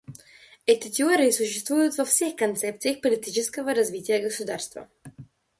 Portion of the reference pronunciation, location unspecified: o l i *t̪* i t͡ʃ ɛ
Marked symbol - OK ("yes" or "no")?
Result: yes